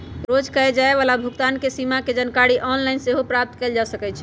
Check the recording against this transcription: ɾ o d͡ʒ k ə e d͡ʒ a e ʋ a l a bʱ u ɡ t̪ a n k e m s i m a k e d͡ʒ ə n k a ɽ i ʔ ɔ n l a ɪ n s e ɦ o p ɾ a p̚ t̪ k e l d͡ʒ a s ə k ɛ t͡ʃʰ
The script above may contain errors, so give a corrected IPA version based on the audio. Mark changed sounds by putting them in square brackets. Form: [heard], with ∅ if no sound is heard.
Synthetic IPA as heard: ɾ o d͡ʒ k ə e d͡ʒ a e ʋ a l a bʱ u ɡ t̪ a n k e [∅] s i m a k e d͡ʒ ə n k a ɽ i ʔ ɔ n l a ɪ n s e ɦ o p ɾ a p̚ t̪ k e l d͡ʒ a s ə k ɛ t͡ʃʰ